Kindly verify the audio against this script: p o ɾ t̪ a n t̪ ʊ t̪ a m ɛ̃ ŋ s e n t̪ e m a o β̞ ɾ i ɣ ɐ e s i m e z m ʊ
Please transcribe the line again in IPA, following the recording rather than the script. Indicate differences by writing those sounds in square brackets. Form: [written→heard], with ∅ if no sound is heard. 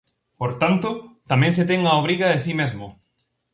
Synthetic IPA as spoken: p o ɾ t̪ a n t̪ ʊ t̪ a m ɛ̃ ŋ s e [n→∅] t̪ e [m→ŋ] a o β̞ ɾ i ɣ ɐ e s i m e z m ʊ